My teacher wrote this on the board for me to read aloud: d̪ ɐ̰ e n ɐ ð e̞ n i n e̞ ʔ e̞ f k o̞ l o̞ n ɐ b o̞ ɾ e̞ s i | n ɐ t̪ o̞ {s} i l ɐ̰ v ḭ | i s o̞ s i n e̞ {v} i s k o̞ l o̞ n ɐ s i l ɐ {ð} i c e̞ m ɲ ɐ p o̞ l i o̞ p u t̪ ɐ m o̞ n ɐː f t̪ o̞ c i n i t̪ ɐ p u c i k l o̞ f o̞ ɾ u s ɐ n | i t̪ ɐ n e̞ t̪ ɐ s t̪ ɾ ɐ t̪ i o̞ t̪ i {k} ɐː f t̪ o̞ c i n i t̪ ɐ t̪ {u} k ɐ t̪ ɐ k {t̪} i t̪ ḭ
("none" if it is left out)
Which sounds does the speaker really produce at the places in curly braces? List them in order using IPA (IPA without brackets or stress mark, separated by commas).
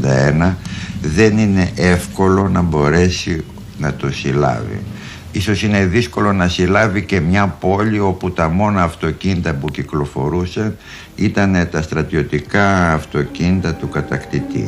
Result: s, ð, v, k, u, t̪